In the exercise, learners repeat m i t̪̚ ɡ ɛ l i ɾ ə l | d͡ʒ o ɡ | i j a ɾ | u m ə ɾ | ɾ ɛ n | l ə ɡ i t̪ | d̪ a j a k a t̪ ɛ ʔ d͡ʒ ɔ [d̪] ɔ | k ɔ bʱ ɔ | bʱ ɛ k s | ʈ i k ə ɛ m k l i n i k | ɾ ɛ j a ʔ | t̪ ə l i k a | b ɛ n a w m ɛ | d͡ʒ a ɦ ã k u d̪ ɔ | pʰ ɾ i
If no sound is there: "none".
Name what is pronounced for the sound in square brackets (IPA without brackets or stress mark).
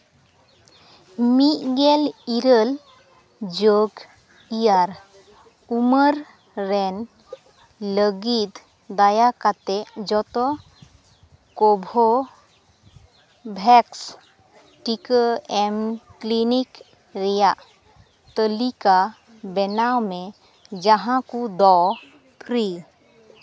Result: t̪